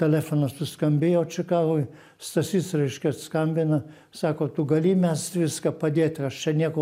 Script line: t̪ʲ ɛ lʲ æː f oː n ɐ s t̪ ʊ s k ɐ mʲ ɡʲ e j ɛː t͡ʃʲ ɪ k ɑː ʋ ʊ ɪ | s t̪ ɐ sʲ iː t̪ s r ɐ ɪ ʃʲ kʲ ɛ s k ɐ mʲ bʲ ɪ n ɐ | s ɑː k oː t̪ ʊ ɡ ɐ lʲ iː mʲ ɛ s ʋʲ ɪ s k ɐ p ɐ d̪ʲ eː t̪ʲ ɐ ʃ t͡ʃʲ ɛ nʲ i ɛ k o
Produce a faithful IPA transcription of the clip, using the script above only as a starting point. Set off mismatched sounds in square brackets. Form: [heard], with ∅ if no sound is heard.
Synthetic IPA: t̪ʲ ɛ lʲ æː f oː n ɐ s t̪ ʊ s k ɐ mʲ [bʲ] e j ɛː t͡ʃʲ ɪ k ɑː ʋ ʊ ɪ | s t̪ ɐ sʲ iː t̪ s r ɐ ɪ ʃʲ kʲ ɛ s k ɐ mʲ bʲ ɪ n ɐ | s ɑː k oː t̪ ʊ ɡ ɐ lʲ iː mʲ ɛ s ʋʲ ɪ s k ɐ p ɐ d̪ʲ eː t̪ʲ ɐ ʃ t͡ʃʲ ɛ nʲ i ɛ k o

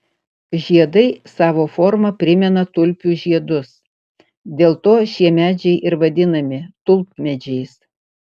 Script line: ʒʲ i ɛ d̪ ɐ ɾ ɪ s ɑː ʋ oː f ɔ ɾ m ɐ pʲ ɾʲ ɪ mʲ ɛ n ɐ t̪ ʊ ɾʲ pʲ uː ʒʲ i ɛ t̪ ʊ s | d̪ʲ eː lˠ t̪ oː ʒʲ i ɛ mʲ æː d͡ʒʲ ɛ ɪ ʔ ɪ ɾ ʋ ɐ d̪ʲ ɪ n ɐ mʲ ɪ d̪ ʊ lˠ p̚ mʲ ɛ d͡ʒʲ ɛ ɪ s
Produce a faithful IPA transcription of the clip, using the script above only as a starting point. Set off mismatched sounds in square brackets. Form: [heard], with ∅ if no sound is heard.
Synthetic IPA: ʒʲ i ɛ d̪ ɐ [∅] ɪ s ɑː ʋ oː f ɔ ɾ m ɐ pʲ ɾʲ ɪ mʲ ɛ n ɐ t̪ ʊ [lʲ] pʲ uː ʒʲ i ɛ [d̪] ʊ s | d̪ʲ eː lˠ t̪ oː [ʃʲ] i ɛ mʲ æː d͡ʒʲ ɛ ɪ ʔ ɪ ɾ ʋ ɐ d̪ʲ ɪ n ɐ mʲ ɪ [t̪] ʊ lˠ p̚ mʲ ɛ d͡ʒʲ ɛ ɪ s

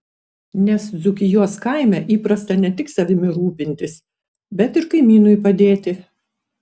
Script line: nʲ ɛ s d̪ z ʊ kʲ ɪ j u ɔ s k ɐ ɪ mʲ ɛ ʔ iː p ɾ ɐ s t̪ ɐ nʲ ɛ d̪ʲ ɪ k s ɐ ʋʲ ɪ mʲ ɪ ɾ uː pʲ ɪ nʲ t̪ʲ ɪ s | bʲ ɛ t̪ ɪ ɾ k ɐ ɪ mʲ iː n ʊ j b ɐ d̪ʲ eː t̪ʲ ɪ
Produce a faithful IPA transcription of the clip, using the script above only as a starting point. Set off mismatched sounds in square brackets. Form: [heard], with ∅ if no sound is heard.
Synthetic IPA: nʲ ɛ s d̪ z ʊ kʲ ɪ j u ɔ s k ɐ ɪ mʲ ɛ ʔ iː p ɾ ɐ s t̪ ɐ nʲ ɛ [t̪ʲ] ɪ k s ɐ ʋʲ ɪ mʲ ɪ ɾ uː pʲ ɪ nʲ t̪ʲ ɪ s | bʲ ɛ t̪ ɪ ɾ k ɐ ɪ mʲ iː n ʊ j [p] ɐ d̪ʲ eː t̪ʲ ɪ

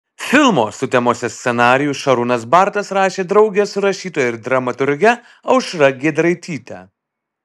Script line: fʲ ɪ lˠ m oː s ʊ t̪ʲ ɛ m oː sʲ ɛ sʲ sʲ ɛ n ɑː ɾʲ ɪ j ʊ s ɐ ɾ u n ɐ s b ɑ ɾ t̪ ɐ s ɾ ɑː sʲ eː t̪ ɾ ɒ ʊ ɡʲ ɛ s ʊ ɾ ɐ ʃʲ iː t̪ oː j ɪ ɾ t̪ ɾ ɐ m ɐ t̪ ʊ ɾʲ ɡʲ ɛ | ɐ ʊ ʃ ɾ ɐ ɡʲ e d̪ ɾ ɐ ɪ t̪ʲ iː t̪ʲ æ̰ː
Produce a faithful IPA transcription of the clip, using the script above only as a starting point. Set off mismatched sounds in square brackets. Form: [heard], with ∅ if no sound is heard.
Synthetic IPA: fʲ ɪ lˠ m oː s ʊ t̪ʲ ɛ m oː sʲ ɛ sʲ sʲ ɛ n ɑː ɾʲ ɪ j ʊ [ʃ] ɐ ɾ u n ɐ s b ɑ ɾ t̪ ɐ s ɾ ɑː [ʃʲ] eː [d̪] ɾ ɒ ʊ ɡʲ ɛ s ʊ ɾ ɐ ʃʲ iː t̪ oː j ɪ ɾ [d̪] ɾ ɐ m ɐ t̪ ʊ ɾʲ ɡʲ ɛ | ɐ ʊ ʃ ɾ ɐ ɡʲ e d̪ ɾ ɐ ɪ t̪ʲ iː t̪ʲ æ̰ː

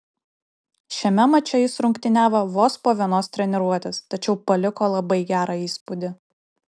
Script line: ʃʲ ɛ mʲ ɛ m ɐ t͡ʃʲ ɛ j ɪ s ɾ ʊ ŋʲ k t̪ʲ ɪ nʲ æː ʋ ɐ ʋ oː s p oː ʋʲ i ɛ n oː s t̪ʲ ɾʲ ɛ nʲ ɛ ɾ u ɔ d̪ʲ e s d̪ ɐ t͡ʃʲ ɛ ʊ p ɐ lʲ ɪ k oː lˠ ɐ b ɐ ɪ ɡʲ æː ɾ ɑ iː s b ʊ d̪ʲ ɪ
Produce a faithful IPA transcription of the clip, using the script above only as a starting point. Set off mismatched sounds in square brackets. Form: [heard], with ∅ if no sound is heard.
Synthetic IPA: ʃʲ ɛ mʲ ɛ m ɐ t͡ʃʲ ɛ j ɪ s ɾ ʊ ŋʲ k t̪ʲ ɪ nʲ æː ʋ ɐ ʋ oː s p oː ʋʲ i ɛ n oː s t̪ʲ ɾʲ ɛ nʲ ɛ ɾ u ɔ [t̪ʲ] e s [t̪] ɐ t͡ʃʲ ɛ ʊ p ɐ lʲ ɪ k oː lˠ ɐ b ɐ ɪ ɡʲ æː ɾ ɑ iː s [p] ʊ d̪ʲ ɪ

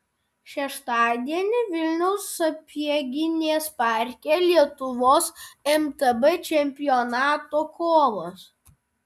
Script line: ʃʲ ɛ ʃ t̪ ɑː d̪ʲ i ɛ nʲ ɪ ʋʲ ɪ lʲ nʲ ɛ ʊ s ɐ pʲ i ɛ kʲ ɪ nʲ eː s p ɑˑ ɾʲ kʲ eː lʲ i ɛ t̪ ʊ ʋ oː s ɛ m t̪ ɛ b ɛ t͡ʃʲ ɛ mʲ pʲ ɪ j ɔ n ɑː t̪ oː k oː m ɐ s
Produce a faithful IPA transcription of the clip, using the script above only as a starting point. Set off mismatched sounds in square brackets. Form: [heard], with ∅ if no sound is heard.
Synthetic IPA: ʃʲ ɛ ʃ t̪ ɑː d̪ʲ i ɛ nʲ ɪ ʋʲ ɪ lʲ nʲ ɛ ʊ s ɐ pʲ i ɛ [ɡʲ] ɪ nʲ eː s p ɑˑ ɾʲ kʲ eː lʲ i ɛ t̪ ʊ ʋ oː s ɛ m t̪ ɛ b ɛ t͡ʃʲ ɛ mʲ pʲ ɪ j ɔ n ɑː t̪ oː k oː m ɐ s

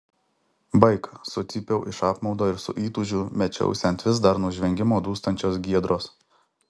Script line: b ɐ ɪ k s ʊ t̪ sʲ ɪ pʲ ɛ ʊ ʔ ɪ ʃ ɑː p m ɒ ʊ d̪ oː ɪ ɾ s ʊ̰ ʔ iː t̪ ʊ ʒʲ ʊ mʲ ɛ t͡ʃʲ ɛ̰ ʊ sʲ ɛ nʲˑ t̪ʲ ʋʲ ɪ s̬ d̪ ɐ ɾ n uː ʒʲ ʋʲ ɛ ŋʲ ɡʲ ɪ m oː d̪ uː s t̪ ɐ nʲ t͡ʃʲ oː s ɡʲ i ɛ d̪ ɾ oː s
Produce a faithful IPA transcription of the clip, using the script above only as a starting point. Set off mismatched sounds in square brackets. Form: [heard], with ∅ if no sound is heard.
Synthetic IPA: b ɐ ɪ k s ʊ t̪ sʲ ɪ pʲ ɛ ʊ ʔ ɪ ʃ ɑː p m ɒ ʊ d̪ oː ɪ ɾ s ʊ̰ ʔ iː t̪ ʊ ʒʲ ʊ mʲ ɛ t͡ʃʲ ɛ̰ ʊ sʲ ɛ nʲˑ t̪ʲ ʋʲ ɪ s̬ d̪ ɐ ɾ n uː ʒʲ ʋʲ ɛ ŋʲ ɡʲ ɪ m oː d̪ uː s t̪ ɐ nʲ t͡ʃʲ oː s ɡʲ i ɛ d̪ ɾ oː s

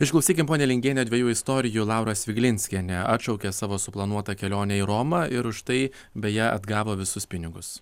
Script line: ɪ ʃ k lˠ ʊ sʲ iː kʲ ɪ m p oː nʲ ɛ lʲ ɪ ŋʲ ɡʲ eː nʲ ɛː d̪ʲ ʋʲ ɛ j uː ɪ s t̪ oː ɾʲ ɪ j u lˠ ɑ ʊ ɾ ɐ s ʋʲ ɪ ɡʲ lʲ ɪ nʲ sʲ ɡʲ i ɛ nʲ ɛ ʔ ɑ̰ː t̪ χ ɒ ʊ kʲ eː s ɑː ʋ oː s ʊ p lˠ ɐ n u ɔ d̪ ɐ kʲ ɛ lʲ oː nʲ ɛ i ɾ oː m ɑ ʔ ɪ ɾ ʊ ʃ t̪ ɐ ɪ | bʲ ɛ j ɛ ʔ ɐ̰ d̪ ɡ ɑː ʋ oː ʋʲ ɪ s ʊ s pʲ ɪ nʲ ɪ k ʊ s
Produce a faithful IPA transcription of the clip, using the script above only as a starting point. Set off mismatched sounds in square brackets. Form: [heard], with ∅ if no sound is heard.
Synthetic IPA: ɪ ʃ k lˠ ʊ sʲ iː kʲ ɪ m p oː nʲ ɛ lʲ ɪ ŋʲ ɡʲ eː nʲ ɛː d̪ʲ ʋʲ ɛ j uː ɪ s t̪ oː ɾʲ ɪ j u lˠ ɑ ʊ ɾ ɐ s ʋʲ ɪ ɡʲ lʲ ɪ nʲ sʲ [kʲ] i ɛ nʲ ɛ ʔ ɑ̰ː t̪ [ʃ] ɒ ʊ kʲ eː s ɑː ʋ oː s ʊ p lˠ ɐ n u ɔ [t̪] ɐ kʲ ɛ lʲ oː nʲ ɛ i ɾ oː m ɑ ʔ ɪ ɾ ʊ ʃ t̪ ɐ ɪ | bʲ ɛ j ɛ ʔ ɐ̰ d̪ ɡ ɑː ʋ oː ʋʲ ɪ s ʊ s pʲ ɪ nʲ ɪ [ɡ] ʊ s

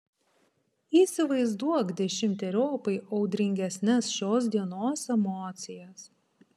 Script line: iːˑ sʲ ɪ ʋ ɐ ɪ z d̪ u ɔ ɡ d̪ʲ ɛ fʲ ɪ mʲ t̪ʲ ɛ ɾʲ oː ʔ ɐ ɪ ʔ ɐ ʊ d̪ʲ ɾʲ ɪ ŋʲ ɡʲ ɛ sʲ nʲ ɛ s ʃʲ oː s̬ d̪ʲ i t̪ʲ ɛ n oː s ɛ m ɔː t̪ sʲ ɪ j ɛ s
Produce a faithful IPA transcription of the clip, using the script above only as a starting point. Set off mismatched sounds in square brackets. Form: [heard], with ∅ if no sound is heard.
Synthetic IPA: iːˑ sʲ ɪ ʋ ɐ ɪ z d̪ u ɔ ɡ d̪ʲ ɛ [ʃʲ] ɪ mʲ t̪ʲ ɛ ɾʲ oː [p] ɐ ɪ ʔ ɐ ʊ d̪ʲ ɾʲ ɪ ŋʲ ɡʲ ɛ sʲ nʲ ɛ s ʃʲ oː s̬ d̪ʲ i [∅] ɛ n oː s ɛ m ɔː t̪ sʲ ɪ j ɛ s

